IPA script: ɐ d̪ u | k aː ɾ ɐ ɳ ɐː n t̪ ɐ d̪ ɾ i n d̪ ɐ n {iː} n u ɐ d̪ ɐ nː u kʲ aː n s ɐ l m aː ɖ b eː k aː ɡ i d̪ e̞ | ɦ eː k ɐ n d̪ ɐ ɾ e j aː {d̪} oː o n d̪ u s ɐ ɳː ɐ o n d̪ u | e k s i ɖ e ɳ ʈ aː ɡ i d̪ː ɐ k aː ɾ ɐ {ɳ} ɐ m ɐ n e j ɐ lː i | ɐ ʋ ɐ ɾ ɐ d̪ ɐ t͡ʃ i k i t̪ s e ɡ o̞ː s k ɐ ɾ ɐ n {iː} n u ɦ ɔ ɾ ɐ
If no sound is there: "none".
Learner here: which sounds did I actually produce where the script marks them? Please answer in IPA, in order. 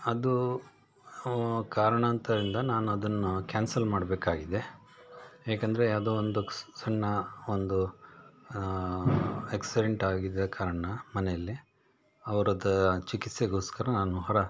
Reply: aː, d̪, ɳ, aː

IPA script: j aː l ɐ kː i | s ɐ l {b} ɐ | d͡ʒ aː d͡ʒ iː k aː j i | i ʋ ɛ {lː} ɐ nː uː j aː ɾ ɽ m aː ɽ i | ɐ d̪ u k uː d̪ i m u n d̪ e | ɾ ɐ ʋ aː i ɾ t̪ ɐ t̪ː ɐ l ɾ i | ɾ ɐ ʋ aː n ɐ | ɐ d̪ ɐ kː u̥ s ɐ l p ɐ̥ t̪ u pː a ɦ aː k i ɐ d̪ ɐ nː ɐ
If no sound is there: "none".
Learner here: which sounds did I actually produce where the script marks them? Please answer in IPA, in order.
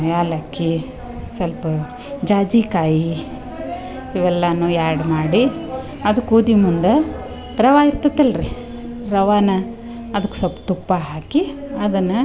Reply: p, lː

